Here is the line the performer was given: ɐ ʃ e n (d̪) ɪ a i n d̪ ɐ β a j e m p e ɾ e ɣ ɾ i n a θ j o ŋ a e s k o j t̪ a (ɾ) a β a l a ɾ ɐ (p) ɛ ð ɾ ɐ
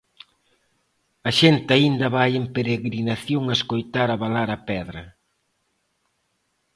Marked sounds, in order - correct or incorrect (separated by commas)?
incorrect, correct, correct